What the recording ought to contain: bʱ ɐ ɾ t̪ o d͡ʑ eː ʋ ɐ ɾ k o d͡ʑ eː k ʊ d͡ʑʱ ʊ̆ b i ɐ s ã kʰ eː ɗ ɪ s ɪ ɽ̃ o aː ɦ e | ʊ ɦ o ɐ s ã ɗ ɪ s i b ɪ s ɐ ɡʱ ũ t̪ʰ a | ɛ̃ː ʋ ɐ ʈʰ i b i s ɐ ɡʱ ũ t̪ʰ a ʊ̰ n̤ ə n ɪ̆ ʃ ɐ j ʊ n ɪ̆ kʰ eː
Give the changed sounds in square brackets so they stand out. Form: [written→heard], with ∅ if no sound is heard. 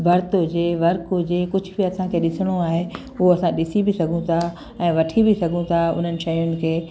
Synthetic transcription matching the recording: bʱ ɐ ɾ t̪ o d͡ʑ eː ʋ ɐ ɾ k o d͡ʑ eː k ʊ d͡ʑʱ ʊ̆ b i ɐ s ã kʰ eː ɗ ɪ s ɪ ɽ̃ o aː ɦ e | ʊ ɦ o ɐ s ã ɗ ɪ s i b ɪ s ɐ ɡʱ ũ t̪ʰ a | ɛ̃ː ʋ ɐ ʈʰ i b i s ɐ ɡʱ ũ t̪ʰ a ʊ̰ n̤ ə n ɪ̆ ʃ ɐ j ʊ n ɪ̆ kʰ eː